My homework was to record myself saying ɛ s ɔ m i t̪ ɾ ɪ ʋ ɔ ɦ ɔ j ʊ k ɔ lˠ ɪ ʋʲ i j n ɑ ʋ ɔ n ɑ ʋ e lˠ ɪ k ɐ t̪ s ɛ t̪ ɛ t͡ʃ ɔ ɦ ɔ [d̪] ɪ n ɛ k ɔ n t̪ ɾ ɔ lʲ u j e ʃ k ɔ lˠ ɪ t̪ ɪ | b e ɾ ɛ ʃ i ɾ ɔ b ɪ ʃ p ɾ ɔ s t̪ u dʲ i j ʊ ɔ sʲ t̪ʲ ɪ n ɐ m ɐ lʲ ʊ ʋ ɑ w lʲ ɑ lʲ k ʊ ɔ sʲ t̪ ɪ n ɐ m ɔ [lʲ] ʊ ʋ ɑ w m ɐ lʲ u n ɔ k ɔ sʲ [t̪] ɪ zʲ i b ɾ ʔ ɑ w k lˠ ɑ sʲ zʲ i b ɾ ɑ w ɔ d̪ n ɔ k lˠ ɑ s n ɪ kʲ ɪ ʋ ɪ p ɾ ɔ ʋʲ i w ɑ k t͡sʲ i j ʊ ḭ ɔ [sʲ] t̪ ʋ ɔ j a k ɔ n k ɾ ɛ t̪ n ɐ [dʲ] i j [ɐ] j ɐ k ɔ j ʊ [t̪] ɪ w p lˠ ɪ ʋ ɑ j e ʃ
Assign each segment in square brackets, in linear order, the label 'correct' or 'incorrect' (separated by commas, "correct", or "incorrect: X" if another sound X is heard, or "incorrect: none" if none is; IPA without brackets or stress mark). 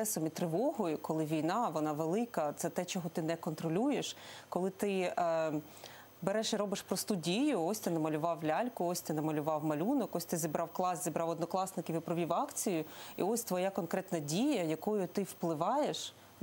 incorrect: t̪, correct, correct, correct, correct, correct, correct